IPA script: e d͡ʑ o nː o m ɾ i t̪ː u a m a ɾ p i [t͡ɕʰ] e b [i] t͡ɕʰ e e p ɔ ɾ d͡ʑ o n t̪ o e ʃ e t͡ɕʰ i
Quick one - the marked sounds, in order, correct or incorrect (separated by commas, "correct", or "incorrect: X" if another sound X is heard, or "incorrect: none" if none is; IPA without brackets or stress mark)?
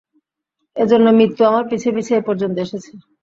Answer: correct, correct